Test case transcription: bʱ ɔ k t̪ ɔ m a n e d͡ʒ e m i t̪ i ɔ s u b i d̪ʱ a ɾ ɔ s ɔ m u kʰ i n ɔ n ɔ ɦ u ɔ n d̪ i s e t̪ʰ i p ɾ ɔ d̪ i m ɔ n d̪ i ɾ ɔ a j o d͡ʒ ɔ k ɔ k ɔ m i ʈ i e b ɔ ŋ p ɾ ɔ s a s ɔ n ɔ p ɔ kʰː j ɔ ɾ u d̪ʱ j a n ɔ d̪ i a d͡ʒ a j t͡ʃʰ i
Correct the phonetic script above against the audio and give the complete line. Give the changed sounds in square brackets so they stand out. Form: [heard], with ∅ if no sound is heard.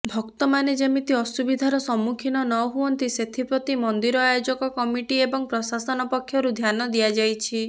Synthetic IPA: bʱ ɔ k t̪ ɔ m a n e d͡ʒ e m i t̪ i ɔ s u b i d̪ʱ a ɾ ɔ s ɔ m u kʰ i n ɔ n ɔ ɦ u ɔ n [t̪] i s e t̪ʰ i p ɾ ɔ [t̪] i m ɔ n d̪ i ɾ ɔ a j o d͡ʒ ɔ k ɔ k ɔ m i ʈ i e b ɔ ŋ p ɾ ɔ s a s ɔ n ɔ p ɔ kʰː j ɔ ɾ u d̪ʱ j a n ɔ d̪ i a d͡ʒ a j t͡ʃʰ i